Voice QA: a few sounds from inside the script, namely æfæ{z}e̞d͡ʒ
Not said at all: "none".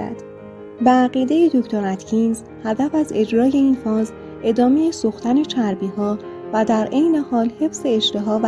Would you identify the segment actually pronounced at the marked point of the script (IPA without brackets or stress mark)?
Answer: z